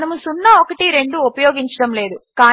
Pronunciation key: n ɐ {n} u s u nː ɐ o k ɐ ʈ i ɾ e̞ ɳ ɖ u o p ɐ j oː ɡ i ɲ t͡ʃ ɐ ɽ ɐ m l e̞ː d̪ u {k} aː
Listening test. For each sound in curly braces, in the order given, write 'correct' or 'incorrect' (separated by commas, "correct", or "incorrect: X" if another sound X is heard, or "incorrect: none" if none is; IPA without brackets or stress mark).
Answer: incorrect: m, correct